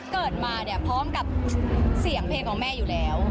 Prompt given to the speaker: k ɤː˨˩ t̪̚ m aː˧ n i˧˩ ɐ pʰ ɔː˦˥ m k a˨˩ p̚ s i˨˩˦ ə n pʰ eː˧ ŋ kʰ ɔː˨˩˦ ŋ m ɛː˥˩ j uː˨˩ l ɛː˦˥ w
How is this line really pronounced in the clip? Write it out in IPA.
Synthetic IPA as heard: k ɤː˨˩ t̪̚ m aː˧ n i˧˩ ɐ pʰ ɔː˦˥ m k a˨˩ p̚ s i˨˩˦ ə ŋ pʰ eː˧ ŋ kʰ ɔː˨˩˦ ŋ m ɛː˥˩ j uː˨˩ l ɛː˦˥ w